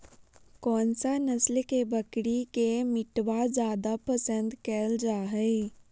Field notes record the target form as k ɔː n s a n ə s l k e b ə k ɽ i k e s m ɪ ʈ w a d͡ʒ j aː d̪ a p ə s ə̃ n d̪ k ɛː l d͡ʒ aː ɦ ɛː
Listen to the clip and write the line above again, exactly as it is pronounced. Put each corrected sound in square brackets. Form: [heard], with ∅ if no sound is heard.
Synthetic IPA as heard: k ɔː n s a n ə s l k e b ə k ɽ i k e [∅] m ɪ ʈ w a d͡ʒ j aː d̪ a p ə s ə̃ n d̪ k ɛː l d͡ʒ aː ɦ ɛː